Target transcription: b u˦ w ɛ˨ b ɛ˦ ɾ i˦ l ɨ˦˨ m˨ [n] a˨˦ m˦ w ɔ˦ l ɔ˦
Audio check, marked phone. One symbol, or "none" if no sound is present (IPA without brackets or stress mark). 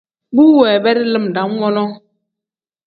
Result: d